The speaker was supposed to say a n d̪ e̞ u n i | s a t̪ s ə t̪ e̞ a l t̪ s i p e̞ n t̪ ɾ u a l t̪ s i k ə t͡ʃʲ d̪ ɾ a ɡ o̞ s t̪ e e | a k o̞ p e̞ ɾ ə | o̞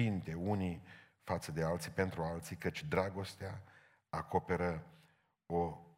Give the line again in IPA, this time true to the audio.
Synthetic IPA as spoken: i n t̪ e̞ u n i | f a t̪ s ə d̪ e̞ a l t̪ s i p e̞ n t̪ ɾ u a l t̪ s i k ə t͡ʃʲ d̪ ɾ a ɡ o̞ s t̪ e a | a k o̞ p e̞ ɾ ə | o̞